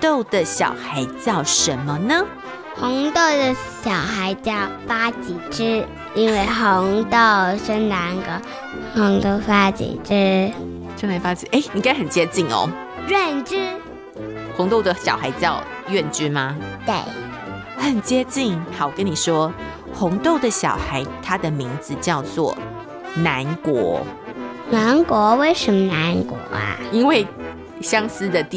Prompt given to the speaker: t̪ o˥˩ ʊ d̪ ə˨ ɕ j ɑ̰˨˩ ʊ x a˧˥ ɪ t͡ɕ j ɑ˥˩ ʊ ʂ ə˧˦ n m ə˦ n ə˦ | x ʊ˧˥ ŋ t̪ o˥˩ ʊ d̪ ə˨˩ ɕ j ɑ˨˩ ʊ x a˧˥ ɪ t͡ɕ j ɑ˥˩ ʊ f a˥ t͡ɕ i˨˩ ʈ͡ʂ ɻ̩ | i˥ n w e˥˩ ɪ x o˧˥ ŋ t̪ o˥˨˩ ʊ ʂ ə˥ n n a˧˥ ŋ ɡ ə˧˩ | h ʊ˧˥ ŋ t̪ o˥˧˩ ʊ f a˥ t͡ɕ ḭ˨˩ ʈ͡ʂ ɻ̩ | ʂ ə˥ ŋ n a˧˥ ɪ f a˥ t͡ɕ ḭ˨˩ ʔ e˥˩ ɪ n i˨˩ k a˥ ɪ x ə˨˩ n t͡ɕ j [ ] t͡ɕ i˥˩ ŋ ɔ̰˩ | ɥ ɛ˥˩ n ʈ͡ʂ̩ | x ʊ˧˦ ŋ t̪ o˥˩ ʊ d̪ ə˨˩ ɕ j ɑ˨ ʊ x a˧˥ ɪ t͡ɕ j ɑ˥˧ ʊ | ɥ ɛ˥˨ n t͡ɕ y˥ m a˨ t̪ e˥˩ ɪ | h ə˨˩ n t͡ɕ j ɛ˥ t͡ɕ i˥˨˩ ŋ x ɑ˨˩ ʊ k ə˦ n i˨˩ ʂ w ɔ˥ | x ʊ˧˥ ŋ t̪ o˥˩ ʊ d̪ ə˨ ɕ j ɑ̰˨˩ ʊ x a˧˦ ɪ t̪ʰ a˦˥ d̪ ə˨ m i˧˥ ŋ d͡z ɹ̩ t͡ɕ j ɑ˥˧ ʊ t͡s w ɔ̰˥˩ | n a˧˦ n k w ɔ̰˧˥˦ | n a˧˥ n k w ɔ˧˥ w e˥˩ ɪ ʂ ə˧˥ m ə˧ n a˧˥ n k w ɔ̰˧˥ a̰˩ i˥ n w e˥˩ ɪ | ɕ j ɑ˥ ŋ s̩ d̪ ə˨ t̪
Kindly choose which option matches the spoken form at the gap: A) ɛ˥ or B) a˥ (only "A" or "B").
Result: A